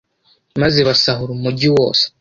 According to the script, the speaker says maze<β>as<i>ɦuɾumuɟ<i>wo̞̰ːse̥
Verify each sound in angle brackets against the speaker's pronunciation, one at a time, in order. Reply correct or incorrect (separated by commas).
correct, incorrect, correct